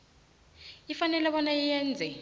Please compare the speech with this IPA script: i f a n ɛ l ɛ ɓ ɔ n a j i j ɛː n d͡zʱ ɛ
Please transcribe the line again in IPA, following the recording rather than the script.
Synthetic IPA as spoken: i f a n ɛ l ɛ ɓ ɔ n a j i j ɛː n d͡zʱ ɛ